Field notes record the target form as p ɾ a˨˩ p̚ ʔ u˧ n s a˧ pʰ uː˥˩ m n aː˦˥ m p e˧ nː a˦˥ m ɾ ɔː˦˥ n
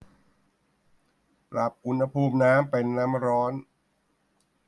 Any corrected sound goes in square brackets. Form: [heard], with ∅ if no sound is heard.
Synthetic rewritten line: p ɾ a˨˩ p̚ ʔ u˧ n [h] a˧ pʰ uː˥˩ m n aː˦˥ m p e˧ nː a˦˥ m ɾ ɔː˦˥ n

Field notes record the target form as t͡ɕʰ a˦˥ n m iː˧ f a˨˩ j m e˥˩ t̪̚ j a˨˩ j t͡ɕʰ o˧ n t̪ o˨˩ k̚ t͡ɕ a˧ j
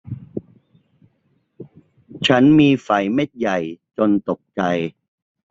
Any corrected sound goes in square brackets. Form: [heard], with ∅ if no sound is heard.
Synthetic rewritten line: t͡ɕʰ a˦˥ n m iː˧ f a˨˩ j m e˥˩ t̪̚ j a˨˩ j [t͡ɕ] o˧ n t̪ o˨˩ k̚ t͡ɕ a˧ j

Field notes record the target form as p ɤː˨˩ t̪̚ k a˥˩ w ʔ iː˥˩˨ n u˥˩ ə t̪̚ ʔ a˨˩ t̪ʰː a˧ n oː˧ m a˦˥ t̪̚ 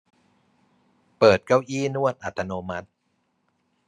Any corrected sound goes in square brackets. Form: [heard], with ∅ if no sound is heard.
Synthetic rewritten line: p ɤː˨˩ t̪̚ k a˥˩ w ʔ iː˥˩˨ n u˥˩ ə t̪̚ ʔ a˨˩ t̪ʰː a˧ n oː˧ m a˦˥ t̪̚

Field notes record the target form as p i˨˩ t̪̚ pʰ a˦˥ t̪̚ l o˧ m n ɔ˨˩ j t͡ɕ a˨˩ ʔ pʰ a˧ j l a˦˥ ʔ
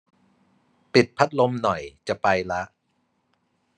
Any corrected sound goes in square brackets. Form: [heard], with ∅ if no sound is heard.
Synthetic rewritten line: p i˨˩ t̪̚ pʰ a˦˥ t̪̚ l o˧ m n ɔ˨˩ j t͡ɕ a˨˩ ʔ [p] a˧ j l a˦˥ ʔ

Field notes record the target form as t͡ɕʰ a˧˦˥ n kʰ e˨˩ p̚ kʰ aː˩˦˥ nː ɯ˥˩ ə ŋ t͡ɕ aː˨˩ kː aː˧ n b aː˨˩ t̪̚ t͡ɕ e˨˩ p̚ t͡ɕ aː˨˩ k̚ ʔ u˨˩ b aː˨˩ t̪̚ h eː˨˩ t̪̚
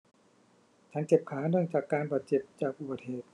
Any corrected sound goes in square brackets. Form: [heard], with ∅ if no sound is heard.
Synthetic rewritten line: t͡ɕʰ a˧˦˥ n [k] e˨˩ p̚ kʰ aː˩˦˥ [n] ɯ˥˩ ə ŋ t͡ɕ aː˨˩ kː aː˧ n b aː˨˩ t̪̚ t͡ɕ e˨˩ p̚ t͡ɕ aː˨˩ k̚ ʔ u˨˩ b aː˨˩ t̪̚ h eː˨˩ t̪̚

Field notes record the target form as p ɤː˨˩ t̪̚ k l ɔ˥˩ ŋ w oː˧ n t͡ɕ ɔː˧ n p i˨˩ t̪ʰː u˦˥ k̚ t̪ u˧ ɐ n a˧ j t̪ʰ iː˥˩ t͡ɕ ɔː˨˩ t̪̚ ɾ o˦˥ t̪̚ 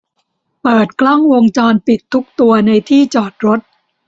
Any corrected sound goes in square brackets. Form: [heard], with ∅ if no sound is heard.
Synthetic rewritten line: p ɤː˨˩ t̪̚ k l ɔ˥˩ ŋ w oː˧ [ŋ] t͡ɕ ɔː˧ n p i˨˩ t̪ʰː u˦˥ k̚ t̪ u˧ ɐ n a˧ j t̪ʰ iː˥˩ t͡ɕ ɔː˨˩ t̪̚ ɾ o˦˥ t̪̚

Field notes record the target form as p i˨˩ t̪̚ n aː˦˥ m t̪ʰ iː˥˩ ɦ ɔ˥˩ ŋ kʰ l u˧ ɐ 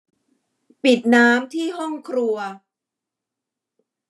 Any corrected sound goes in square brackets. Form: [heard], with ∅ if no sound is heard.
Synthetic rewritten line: p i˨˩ t̪̚ n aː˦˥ m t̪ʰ iː˥˩ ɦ ɔ˥˩ ŋ kʰ [ɾ] u˧ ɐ

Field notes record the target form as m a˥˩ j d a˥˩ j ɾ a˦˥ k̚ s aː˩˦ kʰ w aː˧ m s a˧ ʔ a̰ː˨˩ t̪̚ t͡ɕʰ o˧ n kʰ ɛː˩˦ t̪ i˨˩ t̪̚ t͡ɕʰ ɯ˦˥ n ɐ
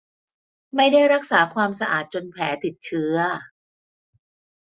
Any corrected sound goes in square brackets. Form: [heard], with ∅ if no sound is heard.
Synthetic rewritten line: m a˥˩ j d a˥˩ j ɾ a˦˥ k̚ s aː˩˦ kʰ w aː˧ m s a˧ ʔ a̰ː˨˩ t̪̚ [t͡ɕ] o˧ n [pʰ] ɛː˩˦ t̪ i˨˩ t̪̚ t͡ɕʰ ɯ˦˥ [∅] ɐ

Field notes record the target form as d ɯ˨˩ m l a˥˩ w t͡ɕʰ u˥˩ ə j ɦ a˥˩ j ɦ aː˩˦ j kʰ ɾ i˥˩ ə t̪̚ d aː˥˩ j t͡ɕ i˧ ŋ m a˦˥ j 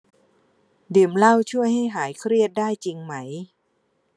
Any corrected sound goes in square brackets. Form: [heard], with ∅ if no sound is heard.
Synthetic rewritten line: d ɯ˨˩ m l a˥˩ w t͡ɕʰ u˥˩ ə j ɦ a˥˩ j ɦ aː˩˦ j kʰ ɾ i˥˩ ə t̪̚ d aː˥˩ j t͡ɕ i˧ ŋ m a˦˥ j

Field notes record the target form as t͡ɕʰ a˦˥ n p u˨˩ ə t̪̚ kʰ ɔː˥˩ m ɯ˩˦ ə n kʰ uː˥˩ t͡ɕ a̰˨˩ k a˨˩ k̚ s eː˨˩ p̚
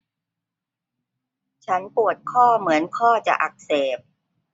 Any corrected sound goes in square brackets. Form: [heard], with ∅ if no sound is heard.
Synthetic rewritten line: t͡ɕʰ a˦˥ n p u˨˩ ə t̪̚ kʰ ɔː˥˩ m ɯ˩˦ ə n kʰ [ɔː˥˩] t͡ɕ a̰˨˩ [ʔ] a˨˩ k̚ s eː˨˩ p̚

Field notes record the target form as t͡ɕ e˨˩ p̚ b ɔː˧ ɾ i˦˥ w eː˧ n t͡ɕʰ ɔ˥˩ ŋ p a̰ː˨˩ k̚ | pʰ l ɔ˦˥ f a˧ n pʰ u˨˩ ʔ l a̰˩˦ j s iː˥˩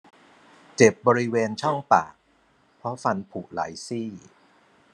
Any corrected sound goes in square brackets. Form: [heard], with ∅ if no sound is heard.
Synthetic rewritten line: t͡ɕ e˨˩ p̚ b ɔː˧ ɾ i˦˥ w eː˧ n t͡ɕʰ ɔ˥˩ ŋ p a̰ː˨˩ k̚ | pʰ [ɾ] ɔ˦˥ f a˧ n pʰ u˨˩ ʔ l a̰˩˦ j s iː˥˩

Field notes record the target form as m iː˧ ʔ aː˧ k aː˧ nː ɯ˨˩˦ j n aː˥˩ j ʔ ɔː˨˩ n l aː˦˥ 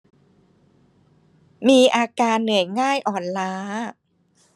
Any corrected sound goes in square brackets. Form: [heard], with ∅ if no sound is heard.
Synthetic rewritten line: m iː˧ ʔ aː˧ k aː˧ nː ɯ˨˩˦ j [ŋ] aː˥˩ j ʔ ɔː˨˩ n l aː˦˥

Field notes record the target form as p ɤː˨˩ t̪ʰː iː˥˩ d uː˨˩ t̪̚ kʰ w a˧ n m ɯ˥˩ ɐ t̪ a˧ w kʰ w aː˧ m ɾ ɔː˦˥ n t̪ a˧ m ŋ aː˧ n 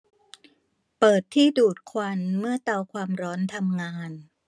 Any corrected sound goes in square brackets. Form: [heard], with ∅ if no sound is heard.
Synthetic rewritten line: p ɤː˨˩ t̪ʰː iː˥˩ d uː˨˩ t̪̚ kʰ w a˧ n m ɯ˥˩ ɐ t̪ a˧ w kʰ w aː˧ m ɾ ɔː˦˥ n [t̪ʰ] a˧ m ŋ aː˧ n

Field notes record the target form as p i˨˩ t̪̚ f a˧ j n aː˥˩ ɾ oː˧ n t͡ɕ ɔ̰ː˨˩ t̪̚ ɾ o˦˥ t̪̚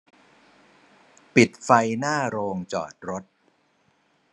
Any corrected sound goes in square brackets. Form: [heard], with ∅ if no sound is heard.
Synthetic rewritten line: p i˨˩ t̪̚ f a˧ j n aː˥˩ ɾ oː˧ [ŋ] t͡ɕ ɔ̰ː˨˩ t̪̚ ɾ o˦˥ t̪̚

